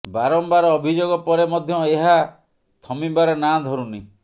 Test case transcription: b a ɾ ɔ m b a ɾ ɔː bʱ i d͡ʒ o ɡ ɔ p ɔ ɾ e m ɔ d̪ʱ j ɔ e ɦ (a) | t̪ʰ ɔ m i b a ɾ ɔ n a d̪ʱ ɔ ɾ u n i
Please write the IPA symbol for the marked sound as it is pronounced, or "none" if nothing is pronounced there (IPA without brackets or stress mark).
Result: a